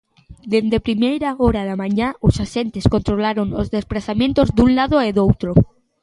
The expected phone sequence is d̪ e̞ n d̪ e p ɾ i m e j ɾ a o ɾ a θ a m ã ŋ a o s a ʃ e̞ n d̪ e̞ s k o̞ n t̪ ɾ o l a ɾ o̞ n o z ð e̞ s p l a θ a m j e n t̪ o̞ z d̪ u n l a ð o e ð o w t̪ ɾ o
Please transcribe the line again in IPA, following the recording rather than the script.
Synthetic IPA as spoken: d̪ e̞ n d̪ e p ɾ i m e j ɾ a o ɾ a ð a m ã ɲ a o s a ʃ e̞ n t̪ e̞ s k o̞ n t̪ ɾ o l a ɾ o̞ n o z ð e̞ s p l a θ a m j e n t̪ o̞ z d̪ u n l a ð o e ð o w t̪ ɾ o